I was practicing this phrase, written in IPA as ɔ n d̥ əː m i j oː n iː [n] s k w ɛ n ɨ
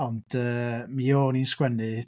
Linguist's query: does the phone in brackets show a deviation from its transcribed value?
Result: no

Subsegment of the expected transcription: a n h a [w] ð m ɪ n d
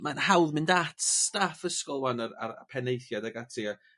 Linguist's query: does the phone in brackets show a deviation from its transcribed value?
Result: no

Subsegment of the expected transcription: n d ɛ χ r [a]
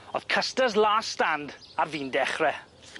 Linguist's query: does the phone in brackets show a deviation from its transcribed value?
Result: yes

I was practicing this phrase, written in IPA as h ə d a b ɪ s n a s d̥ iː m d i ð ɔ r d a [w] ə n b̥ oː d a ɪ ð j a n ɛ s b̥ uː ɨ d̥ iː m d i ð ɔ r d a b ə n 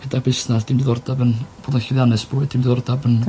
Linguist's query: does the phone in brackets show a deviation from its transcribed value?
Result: yes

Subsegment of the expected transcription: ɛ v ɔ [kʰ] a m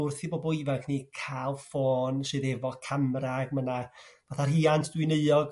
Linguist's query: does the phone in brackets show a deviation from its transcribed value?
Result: no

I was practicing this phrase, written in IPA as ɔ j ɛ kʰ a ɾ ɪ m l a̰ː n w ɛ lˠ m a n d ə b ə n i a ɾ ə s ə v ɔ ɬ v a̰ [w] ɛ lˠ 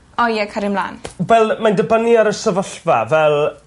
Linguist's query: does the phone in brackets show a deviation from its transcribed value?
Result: yes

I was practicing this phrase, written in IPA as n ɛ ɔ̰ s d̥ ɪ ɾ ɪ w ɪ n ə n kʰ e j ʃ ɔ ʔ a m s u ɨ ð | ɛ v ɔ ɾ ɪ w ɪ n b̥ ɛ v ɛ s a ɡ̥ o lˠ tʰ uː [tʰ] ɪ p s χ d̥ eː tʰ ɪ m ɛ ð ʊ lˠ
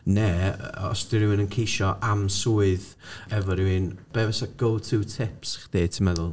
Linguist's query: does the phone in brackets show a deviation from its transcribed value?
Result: no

